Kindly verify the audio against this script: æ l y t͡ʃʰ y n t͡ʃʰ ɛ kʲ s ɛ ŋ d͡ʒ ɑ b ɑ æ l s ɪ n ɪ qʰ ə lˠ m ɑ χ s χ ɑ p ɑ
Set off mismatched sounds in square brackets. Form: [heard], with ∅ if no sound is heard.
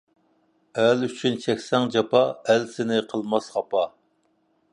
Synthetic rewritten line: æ l y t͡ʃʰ y n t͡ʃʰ ɛ kʲ s ɛ ŋ d͡ʒ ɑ [p] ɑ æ l s ɪ n ɪ qʰ ə lˠ m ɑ [∅] s χ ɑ p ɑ